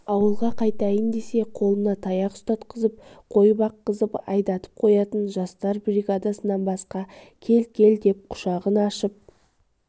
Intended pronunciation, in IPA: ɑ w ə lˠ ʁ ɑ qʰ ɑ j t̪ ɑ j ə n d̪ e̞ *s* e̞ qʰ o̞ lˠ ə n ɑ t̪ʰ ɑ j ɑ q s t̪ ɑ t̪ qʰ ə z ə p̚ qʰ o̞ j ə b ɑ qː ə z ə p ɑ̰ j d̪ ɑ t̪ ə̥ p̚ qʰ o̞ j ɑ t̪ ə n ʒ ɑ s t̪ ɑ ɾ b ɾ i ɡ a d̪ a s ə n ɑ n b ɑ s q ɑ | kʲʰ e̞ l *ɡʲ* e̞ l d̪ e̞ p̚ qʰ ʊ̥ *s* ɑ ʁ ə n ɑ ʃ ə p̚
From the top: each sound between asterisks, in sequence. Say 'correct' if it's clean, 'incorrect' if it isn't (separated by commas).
correct, incorrect, incorrect